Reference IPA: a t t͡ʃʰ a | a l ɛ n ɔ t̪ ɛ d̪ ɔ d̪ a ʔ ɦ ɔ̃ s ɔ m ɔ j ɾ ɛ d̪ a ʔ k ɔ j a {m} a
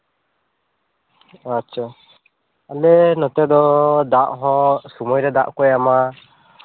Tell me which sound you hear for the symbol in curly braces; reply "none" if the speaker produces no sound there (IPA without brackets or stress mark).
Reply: m